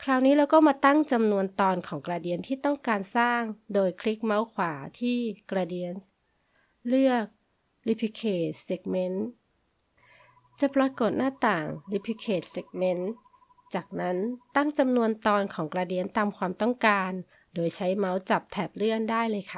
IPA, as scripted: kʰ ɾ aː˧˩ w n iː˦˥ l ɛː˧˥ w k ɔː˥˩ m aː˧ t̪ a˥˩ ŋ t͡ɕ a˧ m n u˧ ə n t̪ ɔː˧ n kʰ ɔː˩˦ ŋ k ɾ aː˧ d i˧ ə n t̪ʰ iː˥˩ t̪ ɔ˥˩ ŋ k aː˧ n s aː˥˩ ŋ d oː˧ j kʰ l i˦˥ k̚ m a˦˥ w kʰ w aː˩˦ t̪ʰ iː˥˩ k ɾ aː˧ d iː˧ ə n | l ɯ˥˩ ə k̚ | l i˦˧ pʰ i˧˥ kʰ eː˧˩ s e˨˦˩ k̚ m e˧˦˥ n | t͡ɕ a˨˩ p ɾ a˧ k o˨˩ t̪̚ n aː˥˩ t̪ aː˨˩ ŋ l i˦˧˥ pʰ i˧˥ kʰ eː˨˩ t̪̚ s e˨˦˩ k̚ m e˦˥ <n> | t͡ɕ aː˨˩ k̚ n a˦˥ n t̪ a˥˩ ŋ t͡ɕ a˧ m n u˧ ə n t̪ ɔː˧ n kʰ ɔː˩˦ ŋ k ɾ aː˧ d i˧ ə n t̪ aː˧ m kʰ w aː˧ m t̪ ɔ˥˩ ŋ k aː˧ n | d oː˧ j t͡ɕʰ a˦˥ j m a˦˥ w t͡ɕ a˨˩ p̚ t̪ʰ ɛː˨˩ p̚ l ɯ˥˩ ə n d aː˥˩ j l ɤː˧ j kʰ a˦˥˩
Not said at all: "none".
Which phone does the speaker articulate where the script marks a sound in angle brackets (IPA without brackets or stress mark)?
n